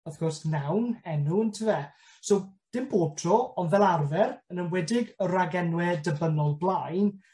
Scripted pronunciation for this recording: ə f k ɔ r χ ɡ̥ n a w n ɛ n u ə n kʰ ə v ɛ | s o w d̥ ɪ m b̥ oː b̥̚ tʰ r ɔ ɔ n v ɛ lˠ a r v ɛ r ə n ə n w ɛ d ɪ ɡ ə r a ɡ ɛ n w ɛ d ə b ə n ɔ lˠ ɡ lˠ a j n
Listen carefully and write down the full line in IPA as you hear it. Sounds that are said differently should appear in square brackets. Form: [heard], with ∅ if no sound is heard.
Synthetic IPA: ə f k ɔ r [s] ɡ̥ n a w n ɛ n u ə n [tʰ] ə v ɛ | s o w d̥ ɪ m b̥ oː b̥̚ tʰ r ɔ ɔ n v ɛ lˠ a r v ɛ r ə n ə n w ɛ d ɪ ɡ ə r a ɡ ɛ n w ɛ d ə b ə n ɔ lˠ [b] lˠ a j n